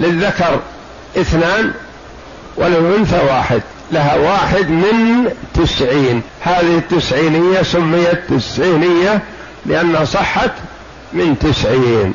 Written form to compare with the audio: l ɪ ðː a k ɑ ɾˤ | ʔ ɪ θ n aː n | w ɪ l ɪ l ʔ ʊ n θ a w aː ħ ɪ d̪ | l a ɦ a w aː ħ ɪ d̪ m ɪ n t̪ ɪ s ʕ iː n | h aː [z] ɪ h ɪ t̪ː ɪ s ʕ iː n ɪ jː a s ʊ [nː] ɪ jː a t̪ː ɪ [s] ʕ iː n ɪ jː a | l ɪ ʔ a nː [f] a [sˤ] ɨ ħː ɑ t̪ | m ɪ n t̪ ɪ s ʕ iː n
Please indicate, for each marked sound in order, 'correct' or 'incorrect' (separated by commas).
incorrect, incorrect, correct, incorrect, correct